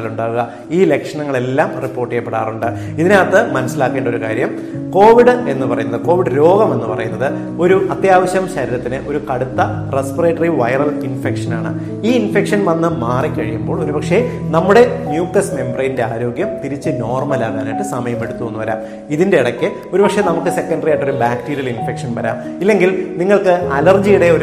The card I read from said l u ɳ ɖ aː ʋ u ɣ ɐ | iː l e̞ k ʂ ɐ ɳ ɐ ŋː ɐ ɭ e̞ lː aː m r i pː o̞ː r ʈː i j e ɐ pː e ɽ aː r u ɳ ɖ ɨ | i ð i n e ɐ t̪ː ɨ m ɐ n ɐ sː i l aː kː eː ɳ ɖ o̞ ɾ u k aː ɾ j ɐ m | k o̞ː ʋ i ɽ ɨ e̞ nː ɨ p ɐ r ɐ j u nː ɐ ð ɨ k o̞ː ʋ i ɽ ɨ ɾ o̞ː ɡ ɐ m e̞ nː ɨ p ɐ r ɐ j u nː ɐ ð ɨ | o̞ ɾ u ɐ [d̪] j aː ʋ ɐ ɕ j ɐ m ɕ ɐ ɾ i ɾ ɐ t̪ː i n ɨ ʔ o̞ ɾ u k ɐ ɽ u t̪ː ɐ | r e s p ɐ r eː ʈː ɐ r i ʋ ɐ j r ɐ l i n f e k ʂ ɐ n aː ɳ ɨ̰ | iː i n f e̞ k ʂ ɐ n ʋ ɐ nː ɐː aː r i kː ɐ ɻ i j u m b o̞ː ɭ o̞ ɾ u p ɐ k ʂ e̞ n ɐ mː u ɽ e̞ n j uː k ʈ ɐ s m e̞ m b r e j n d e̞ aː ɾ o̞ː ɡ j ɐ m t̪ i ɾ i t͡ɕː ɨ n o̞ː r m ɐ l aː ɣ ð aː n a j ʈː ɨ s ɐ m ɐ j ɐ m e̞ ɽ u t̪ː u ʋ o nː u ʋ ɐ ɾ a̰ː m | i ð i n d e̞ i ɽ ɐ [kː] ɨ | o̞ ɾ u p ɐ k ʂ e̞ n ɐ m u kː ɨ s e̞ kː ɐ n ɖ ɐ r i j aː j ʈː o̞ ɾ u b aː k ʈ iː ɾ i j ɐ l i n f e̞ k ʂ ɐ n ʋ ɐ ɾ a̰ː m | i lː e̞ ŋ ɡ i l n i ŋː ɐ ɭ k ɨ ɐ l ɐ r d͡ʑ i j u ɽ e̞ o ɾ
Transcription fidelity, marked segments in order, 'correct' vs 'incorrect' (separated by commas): incorrect, correct